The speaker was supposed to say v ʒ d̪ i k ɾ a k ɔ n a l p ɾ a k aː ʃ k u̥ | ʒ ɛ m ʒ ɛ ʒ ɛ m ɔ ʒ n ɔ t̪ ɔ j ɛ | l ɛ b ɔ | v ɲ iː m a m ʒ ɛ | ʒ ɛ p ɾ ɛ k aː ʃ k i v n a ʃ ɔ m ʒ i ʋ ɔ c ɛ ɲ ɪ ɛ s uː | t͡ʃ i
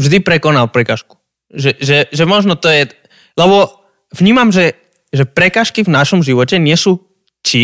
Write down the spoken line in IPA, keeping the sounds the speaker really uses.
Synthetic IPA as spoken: v ʒ d̪ i p ɾ ɛ k ɔ n a l p ɾ ɛ k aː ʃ k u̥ | ʒ ɛ ʒ ɛ ʒ ɛ m ɔ ʒ n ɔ t̪ ɔ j ɛ | l ɛ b ɔ | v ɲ iː m a m ʒ ɛ | ʒ ɛ p ɾ ɛ k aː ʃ k i v n a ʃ ɔ m ʒ i ʋ ɔ c ɛ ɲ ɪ ɛ s uː | t͡ʃ i